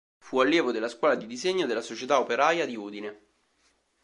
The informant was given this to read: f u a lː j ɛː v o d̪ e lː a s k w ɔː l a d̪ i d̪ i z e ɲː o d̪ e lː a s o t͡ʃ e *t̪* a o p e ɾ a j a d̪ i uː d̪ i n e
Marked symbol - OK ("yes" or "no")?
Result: yes